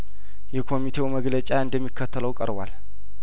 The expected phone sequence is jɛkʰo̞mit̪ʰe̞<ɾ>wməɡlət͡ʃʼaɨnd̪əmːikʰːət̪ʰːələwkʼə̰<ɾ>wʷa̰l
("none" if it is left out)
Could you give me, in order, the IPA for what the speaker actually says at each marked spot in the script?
none, ɾ

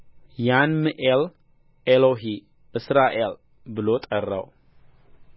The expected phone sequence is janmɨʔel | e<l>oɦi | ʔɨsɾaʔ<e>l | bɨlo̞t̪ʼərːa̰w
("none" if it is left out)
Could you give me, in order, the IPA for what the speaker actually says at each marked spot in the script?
l, e

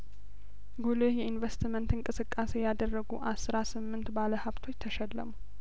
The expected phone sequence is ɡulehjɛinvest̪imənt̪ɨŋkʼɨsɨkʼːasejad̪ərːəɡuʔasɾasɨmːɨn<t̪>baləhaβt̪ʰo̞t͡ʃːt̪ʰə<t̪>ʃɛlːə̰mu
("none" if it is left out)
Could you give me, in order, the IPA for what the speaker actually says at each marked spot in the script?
t̪, none

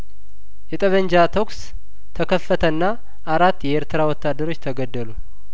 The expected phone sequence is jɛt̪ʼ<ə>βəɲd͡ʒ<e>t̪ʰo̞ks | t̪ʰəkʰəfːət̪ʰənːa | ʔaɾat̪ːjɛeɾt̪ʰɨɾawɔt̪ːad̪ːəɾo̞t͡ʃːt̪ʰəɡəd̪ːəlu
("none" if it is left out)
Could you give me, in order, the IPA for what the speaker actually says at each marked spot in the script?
ə, a

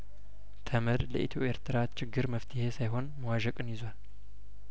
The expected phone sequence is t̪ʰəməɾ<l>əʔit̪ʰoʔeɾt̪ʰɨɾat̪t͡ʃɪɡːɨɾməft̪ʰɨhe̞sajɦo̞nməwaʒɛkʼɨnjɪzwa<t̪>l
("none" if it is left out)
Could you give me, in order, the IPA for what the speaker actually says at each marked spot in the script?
l, none

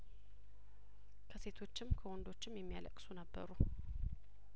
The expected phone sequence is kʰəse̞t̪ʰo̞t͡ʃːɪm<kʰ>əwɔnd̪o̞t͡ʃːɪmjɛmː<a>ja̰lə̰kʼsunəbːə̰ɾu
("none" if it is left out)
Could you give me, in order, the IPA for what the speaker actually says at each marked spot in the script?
kʰ, i

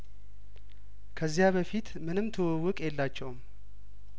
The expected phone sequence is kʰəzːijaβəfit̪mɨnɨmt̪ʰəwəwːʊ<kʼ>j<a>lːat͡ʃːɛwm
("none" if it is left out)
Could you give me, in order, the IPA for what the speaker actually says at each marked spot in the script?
kʼ, ɛ

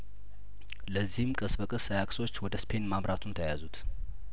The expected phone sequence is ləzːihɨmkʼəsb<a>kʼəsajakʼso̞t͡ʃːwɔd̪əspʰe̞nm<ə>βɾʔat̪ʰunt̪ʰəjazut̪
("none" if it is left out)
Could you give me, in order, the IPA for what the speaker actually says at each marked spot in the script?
ə, a

